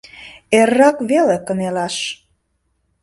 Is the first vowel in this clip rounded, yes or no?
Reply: no